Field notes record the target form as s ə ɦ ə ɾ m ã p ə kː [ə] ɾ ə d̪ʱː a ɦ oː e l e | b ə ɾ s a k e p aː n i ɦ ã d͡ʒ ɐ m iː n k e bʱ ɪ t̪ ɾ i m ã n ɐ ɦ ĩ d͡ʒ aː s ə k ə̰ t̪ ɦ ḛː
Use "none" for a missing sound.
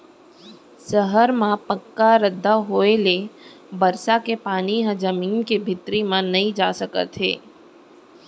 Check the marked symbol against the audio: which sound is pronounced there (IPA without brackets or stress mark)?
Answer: a